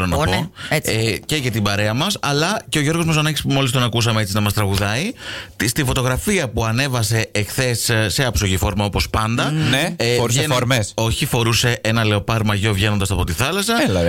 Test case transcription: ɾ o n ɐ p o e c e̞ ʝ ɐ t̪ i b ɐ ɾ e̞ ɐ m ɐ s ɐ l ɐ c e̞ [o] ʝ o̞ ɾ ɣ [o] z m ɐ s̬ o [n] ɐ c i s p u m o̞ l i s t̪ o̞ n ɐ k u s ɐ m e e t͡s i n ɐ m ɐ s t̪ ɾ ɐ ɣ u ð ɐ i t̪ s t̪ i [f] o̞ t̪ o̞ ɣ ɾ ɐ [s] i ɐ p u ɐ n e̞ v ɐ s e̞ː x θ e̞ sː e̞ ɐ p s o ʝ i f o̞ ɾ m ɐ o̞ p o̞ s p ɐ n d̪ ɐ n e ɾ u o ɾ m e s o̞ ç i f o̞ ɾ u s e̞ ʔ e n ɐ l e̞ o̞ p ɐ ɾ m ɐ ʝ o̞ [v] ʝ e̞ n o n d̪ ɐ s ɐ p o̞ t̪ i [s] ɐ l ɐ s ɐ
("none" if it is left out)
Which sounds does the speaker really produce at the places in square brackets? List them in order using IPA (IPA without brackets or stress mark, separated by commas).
o, o, n, f, f, v, θ